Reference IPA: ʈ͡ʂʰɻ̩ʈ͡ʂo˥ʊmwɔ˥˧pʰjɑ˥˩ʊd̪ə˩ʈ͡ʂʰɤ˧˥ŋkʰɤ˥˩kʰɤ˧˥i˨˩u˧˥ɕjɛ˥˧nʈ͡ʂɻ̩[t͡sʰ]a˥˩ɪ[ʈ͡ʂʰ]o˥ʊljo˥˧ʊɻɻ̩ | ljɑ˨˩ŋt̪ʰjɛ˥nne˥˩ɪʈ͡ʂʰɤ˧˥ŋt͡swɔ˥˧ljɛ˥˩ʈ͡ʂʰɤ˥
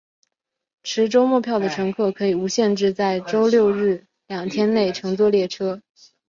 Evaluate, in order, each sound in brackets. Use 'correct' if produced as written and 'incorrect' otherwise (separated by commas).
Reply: incorrect, incorrect